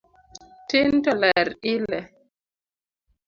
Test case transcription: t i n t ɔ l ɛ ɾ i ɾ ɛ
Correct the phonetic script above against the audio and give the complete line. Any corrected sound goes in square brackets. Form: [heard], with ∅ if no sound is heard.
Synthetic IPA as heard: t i n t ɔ l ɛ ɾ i [l] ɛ